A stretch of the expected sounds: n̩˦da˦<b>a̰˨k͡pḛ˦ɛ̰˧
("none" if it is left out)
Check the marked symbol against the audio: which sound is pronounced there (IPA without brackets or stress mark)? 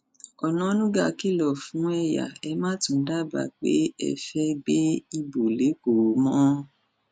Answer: b